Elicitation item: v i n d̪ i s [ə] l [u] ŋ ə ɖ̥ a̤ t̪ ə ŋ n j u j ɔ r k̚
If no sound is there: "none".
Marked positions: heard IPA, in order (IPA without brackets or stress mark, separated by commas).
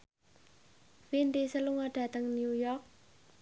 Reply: ə, u